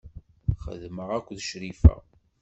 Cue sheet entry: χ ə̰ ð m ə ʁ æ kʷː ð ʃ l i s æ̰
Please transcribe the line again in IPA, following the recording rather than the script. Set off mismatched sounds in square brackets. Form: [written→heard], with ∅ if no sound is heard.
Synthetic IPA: χ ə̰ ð m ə ʁ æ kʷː ð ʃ [l→ɾ] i [s→f] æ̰